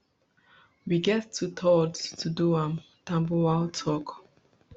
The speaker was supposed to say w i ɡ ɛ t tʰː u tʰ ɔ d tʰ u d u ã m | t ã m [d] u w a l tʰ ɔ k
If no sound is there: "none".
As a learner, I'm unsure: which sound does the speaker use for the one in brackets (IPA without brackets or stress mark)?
b